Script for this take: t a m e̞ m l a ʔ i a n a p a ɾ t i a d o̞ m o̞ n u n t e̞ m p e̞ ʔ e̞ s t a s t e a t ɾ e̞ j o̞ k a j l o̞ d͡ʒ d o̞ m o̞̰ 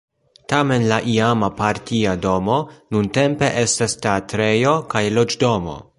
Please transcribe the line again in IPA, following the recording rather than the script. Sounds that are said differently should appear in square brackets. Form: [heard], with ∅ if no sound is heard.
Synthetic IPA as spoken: t a m e̞ [n] l a ʔ i a [m] a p a ɾ t i a d o̞ m o̞ n u n t e̞ m p e̞ ʔ e̞ s t a s t e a t ɾ e̞ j o̞ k a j l o̞ d͡ʒ d o̞ m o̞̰